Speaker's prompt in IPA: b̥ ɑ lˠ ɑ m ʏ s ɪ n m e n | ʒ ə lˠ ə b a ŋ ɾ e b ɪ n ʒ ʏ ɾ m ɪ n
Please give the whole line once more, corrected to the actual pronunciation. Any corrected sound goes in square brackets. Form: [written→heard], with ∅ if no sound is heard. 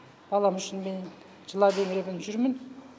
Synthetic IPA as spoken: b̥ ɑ lˠ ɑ m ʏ [s→ʃ] ɪ n m e n | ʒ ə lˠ [ə→ɑ] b [a→e] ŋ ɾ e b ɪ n ʒ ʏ ɾ m ɪ n